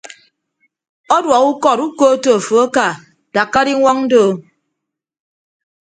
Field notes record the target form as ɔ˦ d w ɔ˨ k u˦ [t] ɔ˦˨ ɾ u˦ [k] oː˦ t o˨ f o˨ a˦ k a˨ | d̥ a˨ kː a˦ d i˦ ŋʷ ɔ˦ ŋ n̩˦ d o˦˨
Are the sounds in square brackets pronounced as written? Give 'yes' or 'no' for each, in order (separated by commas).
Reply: no, yes